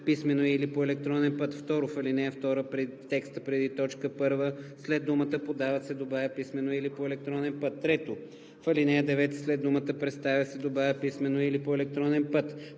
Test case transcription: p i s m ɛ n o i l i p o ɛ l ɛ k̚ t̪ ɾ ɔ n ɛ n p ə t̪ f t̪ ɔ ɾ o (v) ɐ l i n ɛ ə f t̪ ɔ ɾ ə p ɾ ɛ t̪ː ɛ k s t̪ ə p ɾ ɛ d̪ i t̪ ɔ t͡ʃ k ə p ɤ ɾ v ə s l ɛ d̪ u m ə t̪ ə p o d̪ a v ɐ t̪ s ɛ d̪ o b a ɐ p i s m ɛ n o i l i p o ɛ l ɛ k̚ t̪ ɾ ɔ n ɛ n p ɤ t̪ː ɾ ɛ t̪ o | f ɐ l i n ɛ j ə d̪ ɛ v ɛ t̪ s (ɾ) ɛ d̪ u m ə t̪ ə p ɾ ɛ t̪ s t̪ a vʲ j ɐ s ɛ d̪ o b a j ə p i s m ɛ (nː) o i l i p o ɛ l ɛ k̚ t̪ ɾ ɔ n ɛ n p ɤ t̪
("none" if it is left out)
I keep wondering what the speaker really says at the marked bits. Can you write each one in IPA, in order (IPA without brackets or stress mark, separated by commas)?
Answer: f, l, n